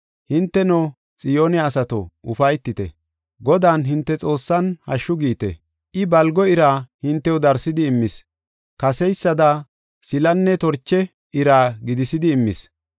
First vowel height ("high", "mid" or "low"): high